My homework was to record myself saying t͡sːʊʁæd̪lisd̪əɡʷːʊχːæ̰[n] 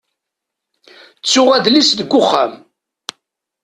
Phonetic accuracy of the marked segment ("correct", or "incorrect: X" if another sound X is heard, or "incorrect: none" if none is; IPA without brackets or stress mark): incorrect: m